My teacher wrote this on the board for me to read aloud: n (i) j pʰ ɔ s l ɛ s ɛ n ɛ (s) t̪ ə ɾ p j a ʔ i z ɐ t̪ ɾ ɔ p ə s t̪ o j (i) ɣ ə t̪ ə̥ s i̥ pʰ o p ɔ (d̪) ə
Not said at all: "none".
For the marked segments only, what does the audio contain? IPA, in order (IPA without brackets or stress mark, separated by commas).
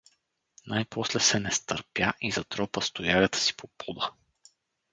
a, s, a, d̪